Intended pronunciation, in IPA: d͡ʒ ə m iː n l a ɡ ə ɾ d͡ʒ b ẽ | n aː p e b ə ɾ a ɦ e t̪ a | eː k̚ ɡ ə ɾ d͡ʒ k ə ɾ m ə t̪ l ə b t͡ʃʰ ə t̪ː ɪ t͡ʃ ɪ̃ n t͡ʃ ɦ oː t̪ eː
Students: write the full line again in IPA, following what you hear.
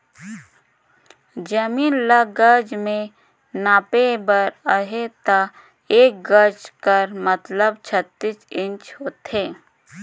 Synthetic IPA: d͡ʒ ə m iː n l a ɡ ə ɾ d͡ʒ m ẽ | n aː p e b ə ɾ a ɦ e t̪ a | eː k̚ ɡ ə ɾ d͡ʒ k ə ɾ m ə t̪ l ə b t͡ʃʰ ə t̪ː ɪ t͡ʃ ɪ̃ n t͡ʃ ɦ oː t̪ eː